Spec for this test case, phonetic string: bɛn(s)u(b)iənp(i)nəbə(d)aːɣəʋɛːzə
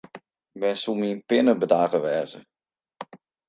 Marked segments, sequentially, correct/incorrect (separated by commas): correct, incorrect, incorrect, correct